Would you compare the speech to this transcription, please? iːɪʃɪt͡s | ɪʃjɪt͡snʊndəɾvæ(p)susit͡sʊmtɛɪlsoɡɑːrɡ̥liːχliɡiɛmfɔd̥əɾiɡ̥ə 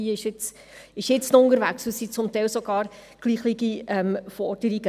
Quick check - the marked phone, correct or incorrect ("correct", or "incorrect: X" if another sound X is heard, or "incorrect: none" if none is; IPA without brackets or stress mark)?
incorrect: k